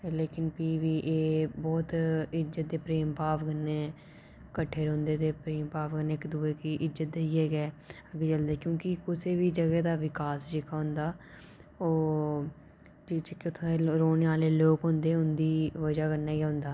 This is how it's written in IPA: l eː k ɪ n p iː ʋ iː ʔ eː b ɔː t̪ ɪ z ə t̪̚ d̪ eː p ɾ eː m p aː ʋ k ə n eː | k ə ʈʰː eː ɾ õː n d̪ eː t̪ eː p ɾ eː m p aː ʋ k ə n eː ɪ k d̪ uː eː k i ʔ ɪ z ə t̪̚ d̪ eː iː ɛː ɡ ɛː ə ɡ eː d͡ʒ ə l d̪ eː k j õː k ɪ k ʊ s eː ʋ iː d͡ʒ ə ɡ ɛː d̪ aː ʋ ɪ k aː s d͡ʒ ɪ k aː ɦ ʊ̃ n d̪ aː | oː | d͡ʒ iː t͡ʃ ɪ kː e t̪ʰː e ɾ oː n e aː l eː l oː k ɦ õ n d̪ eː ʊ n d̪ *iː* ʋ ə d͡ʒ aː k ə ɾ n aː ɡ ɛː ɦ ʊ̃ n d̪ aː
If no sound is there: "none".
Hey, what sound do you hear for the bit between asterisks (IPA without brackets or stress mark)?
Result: iː